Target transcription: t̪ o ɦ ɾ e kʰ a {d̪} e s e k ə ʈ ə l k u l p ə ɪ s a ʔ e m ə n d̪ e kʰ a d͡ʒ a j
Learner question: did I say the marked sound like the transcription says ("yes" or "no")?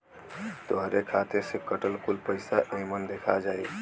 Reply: no